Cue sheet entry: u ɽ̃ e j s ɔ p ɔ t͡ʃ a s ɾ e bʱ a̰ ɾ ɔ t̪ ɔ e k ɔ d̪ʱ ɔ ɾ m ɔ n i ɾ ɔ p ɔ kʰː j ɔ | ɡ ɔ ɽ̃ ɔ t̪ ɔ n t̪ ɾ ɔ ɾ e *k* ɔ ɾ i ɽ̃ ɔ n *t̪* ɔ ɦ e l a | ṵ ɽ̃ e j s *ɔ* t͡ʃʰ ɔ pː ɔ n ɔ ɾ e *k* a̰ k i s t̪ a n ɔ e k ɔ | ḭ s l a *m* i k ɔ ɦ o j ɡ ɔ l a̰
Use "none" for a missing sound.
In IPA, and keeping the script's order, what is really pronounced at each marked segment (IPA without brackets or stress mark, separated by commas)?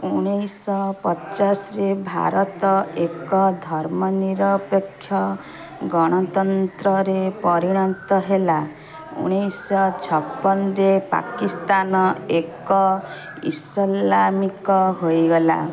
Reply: p, t̪, ɔ, p, m